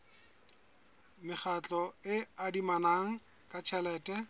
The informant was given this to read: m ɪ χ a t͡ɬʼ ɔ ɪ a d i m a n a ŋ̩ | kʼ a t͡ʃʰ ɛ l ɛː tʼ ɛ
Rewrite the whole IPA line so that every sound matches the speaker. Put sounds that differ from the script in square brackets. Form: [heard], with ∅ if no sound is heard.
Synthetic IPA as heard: m ɪ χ a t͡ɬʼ ɔ ɪ a d i m a n a ŋ̩ | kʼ a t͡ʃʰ ɛ l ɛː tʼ ɛ